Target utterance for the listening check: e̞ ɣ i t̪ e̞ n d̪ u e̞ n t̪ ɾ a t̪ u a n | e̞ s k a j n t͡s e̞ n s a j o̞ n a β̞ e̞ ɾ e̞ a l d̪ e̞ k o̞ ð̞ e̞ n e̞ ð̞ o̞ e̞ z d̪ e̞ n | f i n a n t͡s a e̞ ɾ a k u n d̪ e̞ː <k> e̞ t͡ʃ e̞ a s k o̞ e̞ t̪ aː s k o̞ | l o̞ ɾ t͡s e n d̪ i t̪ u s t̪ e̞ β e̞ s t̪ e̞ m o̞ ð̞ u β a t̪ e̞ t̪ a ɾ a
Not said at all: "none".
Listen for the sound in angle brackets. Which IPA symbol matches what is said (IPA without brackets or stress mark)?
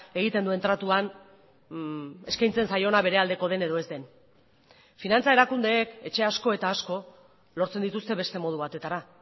k